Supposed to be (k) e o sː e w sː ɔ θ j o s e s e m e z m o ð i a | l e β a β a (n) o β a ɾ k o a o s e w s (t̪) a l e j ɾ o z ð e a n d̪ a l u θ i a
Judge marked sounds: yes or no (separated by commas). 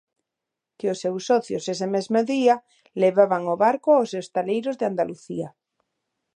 yes, no, yes